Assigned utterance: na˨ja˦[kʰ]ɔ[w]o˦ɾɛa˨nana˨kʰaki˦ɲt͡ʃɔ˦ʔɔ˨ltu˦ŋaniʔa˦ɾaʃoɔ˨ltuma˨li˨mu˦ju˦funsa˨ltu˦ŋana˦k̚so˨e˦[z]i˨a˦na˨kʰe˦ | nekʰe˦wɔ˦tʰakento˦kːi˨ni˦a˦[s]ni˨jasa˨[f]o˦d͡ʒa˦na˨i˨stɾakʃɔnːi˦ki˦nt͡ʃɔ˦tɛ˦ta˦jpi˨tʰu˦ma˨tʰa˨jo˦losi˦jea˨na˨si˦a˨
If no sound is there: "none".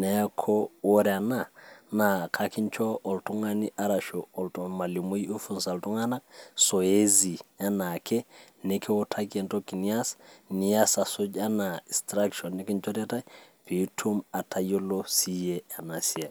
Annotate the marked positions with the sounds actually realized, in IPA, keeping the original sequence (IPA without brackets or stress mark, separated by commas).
kʰ, w, z, s, s